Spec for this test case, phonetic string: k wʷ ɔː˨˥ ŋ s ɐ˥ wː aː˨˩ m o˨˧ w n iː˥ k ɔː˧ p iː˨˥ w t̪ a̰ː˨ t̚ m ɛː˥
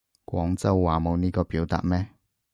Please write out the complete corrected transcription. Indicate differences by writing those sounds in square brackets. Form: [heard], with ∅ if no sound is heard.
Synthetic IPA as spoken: k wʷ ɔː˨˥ ŋ [t͡s] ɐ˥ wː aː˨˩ m o˨˧ w n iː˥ k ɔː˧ p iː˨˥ w t̪ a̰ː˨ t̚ m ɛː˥